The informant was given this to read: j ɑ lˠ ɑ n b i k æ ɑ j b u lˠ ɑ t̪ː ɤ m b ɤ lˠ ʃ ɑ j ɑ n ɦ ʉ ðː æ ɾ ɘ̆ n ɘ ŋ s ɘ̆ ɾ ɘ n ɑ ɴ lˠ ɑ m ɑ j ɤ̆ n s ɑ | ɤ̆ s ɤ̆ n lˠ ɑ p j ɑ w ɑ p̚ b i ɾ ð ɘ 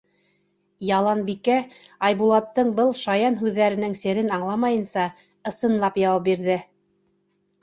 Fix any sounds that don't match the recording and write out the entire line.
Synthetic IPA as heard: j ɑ lˠ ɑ n b i k æ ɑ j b u lˠ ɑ t̪ː ɤ ɴ b ɤ lˠ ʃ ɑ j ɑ n ɦ ʉ ðː æ ɾ ɘ̆ n ɘ ŋ s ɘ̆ ɾ ɘ n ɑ ɴ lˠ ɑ m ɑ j ɤ̆ n s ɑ | ɤ̆ s ɤ̆ n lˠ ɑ p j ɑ w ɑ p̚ b i ɾ ð ɘ